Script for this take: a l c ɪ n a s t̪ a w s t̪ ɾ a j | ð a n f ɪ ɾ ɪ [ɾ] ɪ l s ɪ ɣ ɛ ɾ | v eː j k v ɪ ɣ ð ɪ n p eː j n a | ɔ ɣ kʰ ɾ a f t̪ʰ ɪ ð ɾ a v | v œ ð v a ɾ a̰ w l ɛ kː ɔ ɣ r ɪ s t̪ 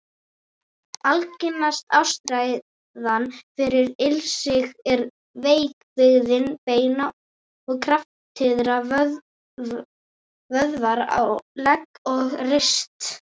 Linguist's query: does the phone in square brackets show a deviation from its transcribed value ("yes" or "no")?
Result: no